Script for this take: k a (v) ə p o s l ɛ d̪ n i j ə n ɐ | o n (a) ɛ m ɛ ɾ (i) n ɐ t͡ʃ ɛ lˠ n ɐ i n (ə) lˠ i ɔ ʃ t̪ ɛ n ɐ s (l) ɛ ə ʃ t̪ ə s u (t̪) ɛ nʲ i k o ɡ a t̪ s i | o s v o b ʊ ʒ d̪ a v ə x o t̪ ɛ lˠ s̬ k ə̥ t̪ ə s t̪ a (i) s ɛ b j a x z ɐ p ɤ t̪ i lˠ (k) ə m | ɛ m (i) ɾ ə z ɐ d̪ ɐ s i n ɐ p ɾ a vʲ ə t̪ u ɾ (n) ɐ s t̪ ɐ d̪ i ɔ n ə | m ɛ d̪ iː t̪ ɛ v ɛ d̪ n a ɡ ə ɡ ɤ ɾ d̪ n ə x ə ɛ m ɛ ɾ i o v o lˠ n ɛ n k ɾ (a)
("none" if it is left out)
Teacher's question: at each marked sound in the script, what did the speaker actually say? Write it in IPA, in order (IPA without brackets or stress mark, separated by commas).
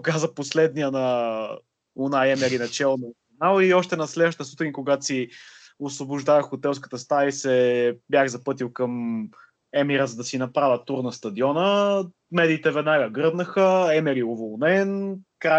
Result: z, a, i, a, l, t̪, i, k, i, n, a